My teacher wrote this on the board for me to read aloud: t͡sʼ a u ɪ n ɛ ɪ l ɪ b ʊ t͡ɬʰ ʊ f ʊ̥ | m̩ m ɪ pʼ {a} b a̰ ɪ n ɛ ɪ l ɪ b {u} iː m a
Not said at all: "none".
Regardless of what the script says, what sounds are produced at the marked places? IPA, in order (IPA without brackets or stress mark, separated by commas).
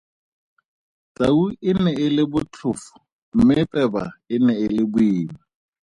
ɛ, ʊ